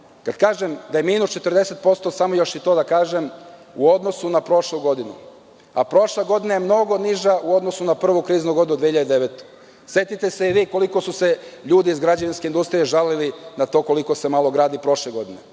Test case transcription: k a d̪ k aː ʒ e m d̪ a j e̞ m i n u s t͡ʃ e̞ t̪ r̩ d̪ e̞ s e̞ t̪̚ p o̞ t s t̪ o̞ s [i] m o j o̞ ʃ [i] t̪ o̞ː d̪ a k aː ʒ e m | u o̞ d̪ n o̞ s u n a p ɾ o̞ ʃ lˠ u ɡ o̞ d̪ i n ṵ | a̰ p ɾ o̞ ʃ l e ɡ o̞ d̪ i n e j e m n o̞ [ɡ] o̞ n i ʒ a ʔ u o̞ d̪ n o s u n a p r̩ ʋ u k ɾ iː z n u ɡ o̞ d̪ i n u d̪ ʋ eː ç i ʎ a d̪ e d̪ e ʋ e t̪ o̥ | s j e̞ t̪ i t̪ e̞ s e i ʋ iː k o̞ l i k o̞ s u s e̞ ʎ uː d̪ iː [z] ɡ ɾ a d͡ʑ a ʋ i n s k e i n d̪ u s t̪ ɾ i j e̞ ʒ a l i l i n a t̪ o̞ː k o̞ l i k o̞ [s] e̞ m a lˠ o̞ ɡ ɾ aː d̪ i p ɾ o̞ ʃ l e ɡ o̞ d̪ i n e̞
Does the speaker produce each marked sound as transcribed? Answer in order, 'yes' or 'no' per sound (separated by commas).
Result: no, yes, yes, yes, yes